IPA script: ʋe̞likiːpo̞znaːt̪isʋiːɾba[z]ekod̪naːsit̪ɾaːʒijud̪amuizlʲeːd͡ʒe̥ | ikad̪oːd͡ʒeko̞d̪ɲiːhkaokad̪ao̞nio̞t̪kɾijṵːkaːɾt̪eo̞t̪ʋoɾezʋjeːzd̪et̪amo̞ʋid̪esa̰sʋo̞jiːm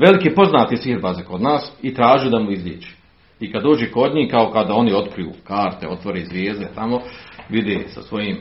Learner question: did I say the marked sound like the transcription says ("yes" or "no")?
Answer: yes